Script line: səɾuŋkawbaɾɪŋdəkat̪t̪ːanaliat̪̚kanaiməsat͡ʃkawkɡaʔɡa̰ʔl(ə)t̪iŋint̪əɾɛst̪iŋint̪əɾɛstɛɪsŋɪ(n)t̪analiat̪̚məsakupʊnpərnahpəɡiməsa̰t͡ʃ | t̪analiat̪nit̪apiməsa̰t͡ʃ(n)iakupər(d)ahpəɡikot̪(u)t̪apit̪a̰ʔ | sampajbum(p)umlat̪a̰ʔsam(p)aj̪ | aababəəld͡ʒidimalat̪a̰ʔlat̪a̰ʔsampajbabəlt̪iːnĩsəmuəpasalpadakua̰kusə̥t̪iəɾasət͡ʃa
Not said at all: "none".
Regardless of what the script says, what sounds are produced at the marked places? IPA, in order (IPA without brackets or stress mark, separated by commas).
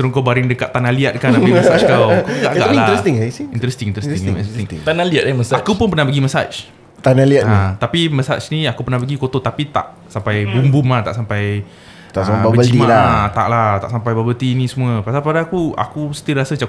a, ŋ, n, n, o, b, p